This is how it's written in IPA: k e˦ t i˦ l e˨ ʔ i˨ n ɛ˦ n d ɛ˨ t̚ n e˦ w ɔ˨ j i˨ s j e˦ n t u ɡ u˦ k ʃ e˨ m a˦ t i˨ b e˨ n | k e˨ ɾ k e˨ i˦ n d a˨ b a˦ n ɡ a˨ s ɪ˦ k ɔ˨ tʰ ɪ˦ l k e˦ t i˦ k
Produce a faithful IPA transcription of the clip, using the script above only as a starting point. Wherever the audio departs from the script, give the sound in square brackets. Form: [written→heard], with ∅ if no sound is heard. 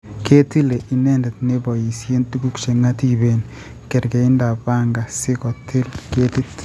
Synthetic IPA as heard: k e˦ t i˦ l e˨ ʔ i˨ n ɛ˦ n d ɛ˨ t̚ n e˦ [w→b] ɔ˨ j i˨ s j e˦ n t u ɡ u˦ k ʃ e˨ [m→ŋ] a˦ t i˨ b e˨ n | k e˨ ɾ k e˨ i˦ n d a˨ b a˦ [n→ŋ] ɡ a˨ s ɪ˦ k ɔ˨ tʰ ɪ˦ l k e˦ t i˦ [k→t]